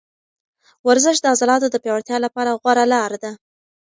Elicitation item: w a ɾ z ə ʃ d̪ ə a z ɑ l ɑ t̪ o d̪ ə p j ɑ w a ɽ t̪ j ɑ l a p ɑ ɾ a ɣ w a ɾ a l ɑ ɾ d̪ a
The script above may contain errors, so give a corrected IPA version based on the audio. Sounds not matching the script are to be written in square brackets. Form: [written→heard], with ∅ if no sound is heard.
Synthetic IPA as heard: w a ɾ z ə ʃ d̪ ə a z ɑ l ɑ t̪ o d̪ ə p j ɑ w a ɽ t̪ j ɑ l a p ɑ ɾ a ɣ w a ɾ a l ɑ ɾ d̪ a